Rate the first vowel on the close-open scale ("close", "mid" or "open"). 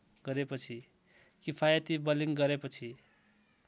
mid